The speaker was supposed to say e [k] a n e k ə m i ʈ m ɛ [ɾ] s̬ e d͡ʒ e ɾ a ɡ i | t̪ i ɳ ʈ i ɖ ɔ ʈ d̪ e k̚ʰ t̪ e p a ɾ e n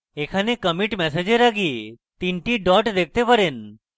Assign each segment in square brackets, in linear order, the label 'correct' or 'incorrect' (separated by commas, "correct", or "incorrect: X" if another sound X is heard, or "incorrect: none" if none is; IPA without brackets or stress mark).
incorrect: kʰ, incorrect: none